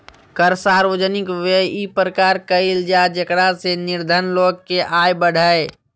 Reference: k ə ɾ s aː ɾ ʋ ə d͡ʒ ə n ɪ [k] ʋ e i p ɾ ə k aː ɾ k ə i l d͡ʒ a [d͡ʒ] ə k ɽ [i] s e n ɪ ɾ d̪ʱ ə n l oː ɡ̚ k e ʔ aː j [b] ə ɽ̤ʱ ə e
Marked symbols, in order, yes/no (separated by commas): yes, yes, no, yes